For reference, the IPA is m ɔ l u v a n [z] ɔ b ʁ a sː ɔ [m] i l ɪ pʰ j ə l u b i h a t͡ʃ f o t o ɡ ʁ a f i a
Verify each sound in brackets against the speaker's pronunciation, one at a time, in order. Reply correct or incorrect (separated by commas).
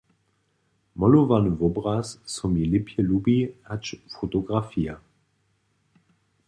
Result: incorrect, correct